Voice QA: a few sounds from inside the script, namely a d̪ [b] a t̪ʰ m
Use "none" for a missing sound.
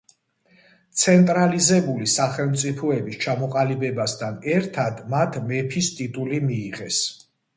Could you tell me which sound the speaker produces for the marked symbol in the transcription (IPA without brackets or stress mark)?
m